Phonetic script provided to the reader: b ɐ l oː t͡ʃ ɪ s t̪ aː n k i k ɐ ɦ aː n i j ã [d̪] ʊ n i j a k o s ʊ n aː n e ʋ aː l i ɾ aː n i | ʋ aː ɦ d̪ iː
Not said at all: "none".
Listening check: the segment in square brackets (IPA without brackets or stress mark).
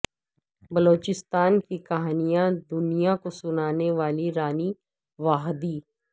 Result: d̪